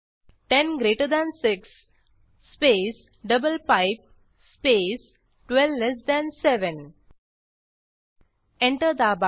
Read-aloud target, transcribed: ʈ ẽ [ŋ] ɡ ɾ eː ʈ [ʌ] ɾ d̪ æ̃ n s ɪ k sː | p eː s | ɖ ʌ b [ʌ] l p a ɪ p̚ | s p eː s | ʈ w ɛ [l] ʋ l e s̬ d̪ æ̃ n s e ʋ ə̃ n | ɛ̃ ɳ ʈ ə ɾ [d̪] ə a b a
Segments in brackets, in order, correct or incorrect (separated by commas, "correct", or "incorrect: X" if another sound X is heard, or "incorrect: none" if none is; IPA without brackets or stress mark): incorrect: n, incorrect: ə, incorrect: ə, correct, correct